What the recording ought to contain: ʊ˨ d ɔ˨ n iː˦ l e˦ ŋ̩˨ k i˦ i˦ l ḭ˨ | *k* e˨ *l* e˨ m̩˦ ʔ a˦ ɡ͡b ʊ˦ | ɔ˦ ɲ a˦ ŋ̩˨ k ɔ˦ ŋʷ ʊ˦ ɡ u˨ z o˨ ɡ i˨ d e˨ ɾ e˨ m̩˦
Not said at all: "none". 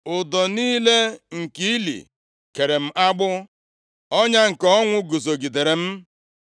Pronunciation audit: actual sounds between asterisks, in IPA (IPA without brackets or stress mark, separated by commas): k, ɾ